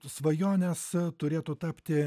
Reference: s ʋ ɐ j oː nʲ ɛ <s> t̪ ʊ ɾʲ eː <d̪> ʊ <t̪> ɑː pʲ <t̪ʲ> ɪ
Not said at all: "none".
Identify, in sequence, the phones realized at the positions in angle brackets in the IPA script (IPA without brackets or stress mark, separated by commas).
s, t̪, t̪, t̪ʲ